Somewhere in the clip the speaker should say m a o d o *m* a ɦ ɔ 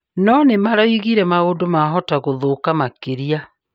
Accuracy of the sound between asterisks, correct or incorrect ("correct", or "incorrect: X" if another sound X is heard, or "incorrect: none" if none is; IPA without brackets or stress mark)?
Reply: correct